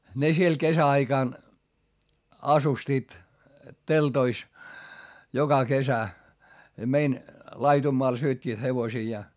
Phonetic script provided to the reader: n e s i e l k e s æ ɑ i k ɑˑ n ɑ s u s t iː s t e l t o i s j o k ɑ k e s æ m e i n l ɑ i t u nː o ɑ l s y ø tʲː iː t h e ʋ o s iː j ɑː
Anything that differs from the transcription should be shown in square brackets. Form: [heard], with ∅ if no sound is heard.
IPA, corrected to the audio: n e s i e l k e s æ ɑ i k ɑˑ n ɑ s u s t iː [t] t e l t o i s j o k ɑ k e s æ m e i n l ɑ i t u [mː] o ɑ l s y ø tʲː iː t h e ʋ o s iː j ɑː